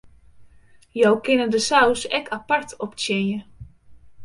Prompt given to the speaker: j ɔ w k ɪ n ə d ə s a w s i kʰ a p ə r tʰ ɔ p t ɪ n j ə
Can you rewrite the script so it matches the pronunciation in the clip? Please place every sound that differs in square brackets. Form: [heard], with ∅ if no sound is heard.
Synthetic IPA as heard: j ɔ w k ɪ n ə d ə s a w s [ɛ] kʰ a p [a] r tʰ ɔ p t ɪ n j ə